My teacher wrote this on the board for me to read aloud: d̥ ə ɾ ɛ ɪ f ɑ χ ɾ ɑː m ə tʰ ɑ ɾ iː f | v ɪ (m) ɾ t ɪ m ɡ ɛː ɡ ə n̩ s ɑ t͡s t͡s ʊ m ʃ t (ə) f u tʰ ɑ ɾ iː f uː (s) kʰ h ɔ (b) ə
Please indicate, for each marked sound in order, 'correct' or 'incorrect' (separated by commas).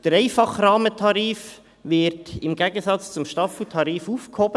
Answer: incorrect, incorrect, incorrect, correct